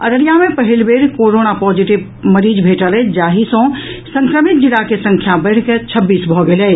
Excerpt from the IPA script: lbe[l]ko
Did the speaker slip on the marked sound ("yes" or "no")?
yes